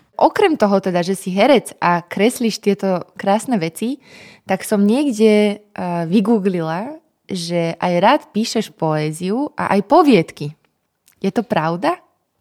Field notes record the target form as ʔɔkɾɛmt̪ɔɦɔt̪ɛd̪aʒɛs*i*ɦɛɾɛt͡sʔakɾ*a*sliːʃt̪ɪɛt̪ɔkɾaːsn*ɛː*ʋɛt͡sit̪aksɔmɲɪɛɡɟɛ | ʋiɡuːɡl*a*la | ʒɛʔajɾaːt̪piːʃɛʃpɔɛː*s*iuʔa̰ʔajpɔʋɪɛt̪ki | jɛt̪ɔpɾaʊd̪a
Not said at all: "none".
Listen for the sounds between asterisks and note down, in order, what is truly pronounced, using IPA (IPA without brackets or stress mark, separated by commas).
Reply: i, ɛ, ɛ, i, z